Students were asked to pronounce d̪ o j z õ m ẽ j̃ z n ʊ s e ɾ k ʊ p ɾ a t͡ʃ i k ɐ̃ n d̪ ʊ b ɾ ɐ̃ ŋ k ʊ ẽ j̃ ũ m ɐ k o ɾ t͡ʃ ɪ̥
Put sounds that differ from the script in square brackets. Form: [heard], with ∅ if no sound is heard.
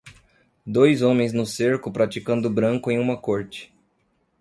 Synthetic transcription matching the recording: d̪ o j z õ m ẽ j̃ z n ʊ s e ɾ k ʊ p ɾ a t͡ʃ i k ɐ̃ n d̪ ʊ b ɾ ɐ̃ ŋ k ʊ ẽ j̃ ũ m ɐ k o ɾ t͡ʃ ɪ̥

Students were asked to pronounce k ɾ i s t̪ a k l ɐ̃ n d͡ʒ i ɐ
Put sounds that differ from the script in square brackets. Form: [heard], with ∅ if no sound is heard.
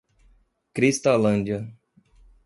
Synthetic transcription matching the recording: k ɾ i s t̪ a [∅] l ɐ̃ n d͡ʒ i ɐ

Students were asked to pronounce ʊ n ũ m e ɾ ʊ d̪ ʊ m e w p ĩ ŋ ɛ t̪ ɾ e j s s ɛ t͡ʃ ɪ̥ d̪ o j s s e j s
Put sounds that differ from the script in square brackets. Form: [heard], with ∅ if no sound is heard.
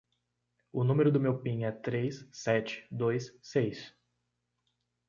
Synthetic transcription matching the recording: ʊ n ũ m e ɾ ʊ d̪ ʊ m e w p ĩ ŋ ɛ t̪ ɾ e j s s ɛ t͡ʃ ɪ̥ d̪ o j s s e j s

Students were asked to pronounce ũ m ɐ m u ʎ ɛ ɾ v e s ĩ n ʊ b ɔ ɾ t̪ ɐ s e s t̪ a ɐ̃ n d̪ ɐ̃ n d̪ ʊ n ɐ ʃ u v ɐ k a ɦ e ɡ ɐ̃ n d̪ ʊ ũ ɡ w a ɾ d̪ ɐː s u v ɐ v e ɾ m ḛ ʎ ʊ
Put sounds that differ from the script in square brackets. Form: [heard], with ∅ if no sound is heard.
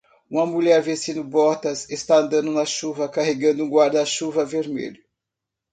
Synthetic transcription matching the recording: ũ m ɐ m u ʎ ɛ ɾ v e s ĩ n ʊ b ɔ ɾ t̪ ɐ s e s t̪ a ɐ̃ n d̪ ɐ̃ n d̪ ʊ n ɐ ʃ u v ɐ k a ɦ e ɡ ɐ̃ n d̪ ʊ ũ ɡ w a ɾ d̪ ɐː [ʃ] u v ɐ v e ɾ m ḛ ʎ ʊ

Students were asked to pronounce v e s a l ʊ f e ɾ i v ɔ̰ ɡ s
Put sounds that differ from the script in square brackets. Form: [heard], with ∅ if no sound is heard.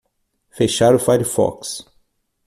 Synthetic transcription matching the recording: [f] e [ʃ] a [ɾ] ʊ f [a] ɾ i [f] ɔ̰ [k] s

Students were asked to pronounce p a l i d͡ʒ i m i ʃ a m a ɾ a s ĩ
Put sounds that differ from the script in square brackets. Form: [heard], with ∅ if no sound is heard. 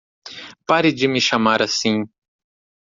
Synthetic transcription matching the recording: p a [ɾ] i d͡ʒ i m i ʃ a m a ɾ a s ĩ

